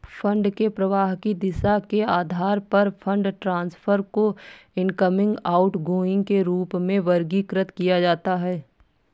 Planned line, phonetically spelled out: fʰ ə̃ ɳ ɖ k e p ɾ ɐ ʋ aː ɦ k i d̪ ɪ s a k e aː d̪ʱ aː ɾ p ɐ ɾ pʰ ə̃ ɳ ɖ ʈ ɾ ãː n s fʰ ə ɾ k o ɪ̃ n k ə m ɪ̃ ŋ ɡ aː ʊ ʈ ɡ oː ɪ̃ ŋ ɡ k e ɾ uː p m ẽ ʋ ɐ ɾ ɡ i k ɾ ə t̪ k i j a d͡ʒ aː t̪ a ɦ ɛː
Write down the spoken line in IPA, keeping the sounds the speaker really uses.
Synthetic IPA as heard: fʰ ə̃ ɳ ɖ k e p ɾ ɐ ʋ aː ɦ k i d̪ ɪ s a k e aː d̪ʱ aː ɾ p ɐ ɾ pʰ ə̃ ɳ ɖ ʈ ɾ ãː n s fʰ ə ɾ k o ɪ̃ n k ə m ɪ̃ ŋ ɡ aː ʊ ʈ ɡ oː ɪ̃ ŋ ɡ k e ɾ uː p m ẽ ʋ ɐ ɾ ɡ i k ɾ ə t̪ k i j a d͡ʒ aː t̪ a ɦ ɛː